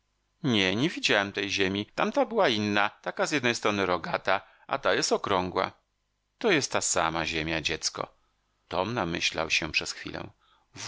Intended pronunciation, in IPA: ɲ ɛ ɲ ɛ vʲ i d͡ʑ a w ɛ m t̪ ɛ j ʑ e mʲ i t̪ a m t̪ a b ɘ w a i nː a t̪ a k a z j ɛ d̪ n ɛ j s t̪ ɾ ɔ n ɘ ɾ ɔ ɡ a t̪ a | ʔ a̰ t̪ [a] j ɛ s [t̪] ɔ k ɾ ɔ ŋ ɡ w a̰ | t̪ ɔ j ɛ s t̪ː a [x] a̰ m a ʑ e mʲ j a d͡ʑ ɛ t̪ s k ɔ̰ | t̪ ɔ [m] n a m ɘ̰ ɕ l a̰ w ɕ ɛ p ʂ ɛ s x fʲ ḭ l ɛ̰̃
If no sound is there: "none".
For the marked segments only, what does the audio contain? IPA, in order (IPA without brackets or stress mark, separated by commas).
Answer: a, t̪, s, m